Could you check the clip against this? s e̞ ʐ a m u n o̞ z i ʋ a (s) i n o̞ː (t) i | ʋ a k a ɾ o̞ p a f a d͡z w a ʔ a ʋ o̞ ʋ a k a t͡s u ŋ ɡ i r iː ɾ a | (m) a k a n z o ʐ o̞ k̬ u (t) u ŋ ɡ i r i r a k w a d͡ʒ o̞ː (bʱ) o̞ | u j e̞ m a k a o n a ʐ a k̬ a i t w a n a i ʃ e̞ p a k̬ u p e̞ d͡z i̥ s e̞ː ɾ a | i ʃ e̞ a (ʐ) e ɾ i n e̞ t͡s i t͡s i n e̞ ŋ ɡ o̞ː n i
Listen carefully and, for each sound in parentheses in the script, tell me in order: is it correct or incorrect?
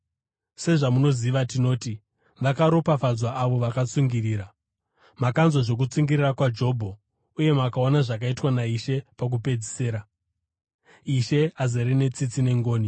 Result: incorrect, correct, correct, incorrect, correct, incorrect

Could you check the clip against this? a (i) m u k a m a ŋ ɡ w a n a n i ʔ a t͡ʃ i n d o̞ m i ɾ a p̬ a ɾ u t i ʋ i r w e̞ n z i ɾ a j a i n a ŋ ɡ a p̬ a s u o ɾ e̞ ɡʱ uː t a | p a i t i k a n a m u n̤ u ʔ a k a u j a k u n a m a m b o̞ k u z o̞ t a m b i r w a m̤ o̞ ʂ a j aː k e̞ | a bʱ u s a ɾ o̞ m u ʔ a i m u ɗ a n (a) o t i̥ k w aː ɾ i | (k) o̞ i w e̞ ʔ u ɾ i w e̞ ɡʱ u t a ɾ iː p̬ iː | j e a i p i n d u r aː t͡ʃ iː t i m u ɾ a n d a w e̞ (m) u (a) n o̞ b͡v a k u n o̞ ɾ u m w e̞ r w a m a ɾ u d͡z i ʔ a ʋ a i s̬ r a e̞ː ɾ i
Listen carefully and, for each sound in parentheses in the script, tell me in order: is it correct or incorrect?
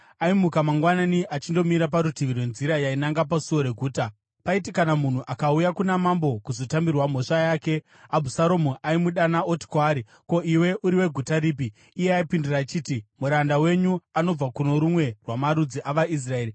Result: correct, correct, correct, incorrect, correct

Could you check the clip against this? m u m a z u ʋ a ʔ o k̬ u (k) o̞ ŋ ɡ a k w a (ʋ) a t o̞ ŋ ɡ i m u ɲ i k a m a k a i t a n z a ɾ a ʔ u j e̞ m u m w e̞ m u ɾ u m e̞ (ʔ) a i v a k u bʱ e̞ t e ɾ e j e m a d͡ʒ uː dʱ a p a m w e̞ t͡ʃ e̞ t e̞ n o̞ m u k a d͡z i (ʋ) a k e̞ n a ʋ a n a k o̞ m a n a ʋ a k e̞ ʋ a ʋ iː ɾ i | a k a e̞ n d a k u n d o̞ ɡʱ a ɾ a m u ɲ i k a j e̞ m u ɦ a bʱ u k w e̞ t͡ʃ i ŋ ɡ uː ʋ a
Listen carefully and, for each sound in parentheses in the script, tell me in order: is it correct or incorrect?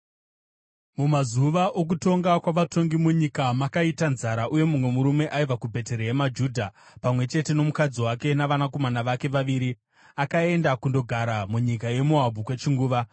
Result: incorrect, correct, correct, incorrect

